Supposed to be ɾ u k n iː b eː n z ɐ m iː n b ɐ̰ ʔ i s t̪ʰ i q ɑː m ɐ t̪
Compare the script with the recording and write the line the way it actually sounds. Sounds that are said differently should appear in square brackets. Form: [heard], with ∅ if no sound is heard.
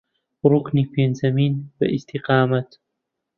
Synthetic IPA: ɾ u k n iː [p] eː n z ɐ m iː n b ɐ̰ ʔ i s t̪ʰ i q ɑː m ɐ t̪